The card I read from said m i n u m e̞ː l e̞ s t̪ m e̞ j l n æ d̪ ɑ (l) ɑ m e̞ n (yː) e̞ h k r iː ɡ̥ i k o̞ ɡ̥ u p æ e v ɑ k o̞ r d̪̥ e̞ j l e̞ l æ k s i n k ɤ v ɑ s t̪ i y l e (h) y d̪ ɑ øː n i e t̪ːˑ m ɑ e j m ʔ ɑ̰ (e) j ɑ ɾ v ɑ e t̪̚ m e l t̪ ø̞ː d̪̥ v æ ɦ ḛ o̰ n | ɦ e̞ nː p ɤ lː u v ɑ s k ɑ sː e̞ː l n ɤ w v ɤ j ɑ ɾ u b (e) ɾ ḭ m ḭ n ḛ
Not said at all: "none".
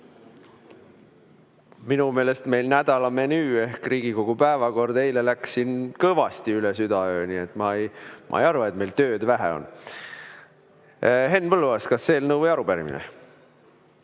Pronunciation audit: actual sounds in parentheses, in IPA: l, yː, s, e, æ

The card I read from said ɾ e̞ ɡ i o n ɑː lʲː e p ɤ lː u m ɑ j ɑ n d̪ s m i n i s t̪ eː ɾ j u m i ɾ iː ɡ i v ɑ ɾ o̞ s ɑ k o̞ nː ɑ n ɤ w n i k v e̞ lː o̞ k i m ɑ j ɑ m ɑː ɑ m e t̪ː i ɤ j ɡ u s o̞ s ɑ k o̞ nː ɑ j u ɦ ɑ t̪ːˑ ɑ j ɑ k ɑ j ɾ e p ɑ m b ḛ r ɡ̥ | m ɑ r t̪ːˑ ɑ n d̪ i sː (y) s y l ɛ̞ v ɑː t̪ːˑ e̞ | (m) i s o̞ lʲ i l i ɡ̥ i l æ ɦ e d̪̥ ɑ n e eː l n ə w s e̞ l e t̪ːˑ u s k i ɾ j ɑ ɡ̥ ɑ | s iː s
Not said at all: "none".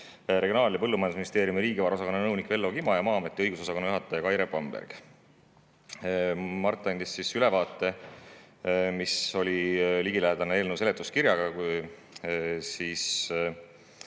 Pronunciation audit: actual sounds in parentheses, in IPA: i, m

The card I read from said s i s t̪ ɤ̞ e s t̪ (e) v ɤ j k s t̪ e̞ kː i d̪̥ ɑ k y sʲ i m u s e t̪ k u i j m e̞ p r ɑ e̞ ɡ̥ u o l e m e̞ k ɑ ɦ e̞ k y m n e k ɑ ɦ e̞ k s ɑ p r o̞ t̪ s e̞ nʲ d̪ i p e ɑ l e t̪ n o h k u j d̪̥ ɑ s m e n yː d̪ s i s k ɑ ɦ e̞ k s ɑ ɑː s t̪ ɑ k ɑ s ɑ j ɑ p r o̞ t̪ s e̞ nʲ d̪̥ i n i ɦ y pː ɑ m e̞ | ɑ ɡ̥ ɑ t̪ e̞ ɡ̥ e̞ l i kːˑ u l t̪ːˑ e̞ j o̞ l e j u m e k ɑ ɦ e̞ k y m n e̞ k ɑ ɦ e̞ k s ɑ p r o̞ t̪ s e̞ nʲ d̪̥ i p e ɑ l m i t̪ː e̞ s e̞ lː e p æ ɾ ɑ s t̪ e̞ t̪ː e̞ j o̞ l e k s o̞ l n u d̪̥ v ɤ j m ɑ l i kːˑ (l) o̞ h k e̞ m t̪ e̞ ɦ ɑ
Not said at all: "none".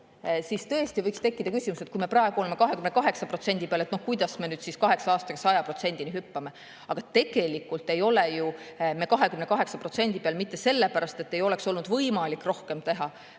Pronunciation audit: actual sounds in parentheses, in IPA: i, r

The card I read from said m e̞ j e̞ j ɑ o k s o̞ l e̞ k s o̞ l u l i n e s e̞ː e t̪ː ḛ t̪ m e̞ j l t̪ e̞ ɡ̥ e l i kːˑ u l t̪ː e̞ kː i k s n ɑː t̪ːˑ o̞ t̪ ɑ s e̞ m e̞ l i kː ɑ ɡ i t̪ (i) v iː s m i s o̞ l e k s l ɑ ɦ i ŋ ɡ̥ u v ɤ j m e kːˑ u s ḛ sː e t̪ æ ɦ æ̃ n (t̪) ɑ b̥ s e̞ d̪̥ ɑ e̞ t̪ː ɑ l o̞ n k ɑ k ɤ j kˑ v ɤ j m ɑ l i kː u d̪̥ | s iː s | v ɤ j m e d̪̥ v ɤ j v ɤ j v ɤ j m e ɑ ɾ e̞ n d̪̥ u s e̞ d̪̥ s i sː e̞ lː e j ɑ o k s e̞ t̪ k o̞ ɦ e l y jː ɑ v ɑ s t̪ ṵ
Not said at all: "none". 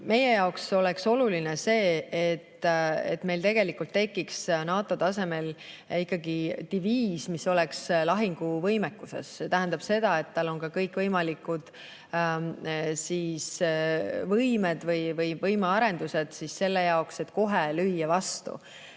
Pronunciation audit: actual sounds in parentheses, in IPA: i, d̪

